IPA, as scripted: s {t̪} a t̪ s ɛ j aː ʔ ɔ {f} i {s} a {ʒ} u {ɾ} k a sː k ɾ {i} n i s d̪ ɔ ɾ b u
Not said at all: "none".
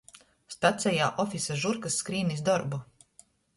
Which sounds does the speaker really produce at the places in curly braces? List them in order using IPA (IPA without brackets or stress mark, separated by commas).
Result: t̪, f, s, ʒ, ɾ, iː